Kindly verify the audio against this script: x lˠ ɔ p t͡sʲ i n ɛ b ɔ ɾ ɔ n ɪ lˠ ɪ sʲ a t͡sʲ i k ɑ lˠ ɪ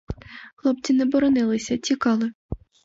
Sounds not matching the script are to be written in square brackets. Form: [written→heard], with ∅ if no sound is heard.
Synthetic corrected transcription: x lˠ ɔ p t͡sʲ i n ɛ b ɔ ɾ ɔ n ɪ lˠ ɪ sʲ [a→ɐ] t͡sʲ i k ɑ lˠ ɪ